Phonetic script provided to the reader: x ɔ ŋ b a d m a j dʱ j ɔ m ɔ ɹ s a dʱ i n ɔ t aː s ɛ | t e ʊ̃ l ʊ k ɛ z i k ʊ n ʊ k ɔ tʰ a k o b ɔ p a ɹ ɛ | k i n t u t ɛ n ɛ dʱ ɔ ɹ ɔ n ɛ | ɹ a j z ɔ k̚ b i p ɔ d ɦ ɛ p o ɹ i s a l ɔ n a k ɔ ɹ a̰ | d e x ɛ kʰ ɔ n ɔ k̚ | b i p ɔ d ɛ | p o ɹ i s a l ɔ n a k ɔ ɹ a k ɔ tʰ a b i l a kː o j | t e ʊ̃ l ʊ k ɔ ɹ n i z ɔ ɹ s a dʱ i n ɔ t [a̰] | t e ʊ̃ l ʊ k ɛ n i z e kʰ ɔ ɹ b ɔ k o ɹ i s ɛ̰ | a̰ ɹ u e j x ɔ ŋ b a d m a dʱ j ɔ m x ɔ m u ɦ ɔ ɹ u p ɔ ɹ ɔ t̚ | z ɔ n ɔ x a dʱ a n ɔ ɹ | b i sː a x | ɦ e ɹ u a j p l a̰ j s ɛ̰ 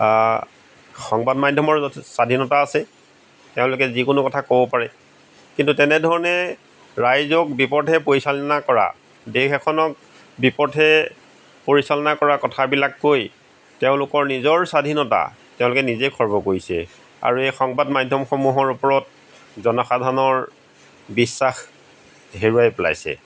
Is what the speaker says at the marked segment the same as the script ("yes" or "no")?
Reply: yes